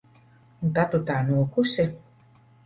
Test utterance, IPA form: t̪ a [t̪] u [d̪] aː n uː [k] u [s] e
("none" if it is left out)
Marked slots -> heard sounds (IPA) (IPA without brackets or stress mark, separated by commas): t̪, t̪, k, s